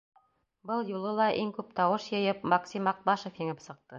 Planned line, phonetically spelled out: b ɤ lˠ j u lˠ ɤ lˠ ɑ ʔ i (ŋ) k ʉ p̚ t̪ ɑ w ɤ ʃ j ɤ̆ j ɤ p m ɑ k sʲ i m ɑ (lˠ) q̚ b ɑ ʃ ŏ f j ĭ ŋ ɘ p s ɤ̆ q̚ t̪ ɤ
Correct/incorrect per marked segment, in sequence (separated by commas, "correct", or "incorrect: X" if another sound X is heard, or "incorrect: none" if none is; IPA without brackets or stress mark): correct, incorrect: none